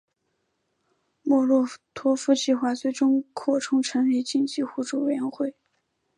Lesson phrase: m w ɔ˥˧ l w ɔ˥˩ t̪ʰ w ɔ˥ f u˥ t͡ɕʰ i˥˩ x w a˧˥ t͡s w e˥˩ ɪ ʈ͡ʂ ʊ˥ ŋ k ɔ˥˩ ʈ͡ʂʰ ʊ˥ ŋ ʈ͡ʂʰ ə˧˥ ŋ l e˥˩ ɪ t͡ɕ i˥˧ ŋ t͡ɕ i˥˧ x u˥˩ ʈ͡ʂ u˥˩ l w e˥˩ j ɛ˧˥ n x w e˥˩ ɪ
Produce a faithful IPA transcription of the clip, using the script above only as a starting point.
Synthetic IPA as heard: m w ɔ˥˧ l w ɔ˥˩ t̪ʰ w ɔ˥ f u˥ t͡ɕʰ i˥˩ x w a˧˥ t͡s w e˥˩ ɪ ʈ͡ʂ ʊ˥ ŋ kʰ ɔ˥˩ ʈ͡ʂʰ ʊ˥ ŋ ʈ͡ʂʰ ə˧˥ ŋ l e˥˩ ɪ t͡ɕ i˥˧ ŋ t͡ɕ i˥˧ x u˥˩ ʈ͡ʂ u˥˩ w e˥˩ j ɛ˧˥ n x w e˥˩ ɪ